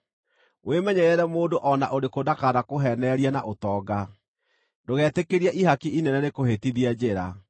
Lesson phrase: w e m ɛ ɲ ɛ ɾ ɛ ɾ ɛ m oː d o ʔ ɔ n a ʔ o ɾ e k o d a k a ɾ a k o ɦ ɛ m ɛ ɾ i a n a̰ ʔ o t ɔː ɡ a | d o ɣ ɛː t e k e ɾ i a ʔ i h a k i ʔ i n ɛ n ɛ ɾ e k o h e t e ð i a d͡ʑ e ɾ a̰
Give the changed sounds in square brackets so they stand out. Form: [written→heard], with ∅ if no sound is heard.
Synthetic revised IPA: w e m ɛ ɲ ɛ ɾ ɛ ɾ ɛ m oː d o ʔ ɔ n a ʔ o ɾ e k o d a k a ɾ a k o ɦ ɛ [m→n] ɛ ɾ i a n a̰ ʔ o t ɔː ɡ a | d o ɣ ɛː t e k e ɾ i a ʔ i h a k i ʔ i n ɛ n ɛ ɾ e k o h e t [e→i] ð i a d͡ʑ e ɾ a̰